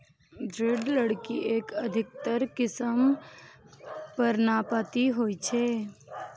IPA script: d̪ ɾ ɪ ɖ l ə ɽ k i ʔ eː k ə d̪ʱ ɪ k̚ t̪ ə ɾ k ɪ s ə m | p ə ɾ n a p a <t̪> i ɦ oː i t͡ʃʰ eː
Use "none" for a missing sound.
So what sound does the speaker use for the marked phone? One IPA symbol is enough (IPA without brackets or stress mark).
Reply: t̪